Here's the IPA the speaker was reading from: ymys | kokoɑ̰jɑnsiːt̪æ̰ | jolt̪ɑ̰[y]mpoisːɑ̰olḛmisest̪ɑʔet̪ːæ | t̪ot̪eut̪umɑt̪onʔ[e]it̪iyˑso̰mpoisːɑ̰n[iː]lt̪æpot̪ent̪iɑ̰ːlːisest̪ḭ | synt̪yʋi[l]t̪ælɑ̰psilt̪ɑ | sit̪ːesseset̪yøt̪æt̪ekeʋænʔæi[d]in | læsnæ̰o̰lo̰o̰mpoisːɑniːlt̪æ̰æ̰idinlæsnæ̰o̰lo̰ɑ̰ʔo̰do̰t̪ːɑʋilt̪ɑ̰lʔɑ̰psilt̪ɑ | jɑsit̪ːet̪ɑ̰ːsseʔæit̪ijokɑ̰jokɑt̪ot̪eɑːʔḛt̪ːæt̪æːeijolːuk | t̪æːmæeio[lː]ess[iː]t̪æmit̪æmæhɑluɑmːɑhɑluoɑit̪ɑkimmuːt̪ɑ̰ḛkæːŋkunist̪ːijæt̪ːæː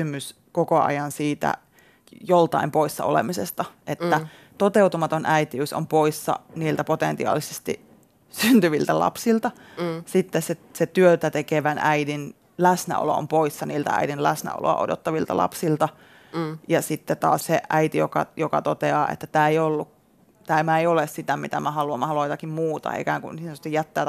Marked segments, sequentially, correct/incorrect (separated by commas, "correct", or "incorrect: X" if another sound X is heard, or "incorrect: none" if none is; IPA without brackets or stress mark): incorrect: i, incorrect: æ, correct, correct, correct, incorrect: l, incorrect: i